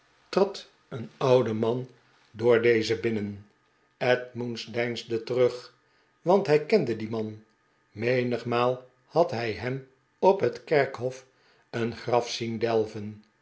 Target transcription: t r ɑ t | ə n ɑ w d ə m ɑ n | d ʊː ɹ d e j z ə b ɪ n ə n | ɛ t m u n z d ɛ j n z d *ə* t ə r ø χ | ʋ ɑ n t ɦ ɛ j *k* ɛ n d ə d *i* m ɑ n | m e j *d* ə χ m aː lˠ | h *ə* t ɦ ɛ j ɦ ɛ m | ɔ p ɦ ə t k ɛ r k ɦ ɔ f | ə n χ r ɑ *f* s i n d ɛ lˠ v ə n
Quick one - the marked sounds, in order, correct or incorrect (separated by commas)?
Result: correct, correct, correct, incorrect, incorrect, correct